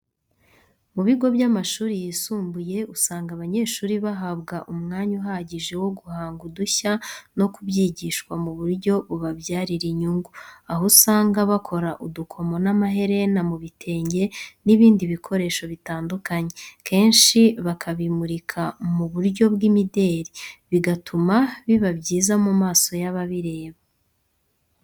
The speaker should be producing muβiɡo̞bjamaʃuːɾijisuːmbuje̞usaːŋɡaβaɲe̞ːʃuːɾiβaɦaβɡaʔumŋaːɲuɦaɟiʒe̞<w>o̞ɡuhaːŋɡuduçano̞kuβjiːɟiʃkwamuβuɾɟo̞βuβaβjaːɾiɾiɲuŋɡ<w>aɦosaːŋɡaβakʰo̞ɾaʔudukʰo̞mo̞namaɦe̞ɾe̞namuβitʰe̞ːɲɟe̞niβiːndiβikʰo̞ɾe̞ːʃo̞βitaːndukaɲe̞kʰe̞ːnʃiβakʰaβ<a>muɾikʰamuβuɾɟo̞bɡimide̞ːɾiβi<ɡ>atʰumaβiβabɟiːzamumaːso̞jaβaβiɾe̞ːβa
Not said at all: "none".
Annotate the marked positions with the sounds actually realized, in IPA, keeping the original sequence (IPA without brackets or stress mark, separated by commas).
w, u, i, ɡ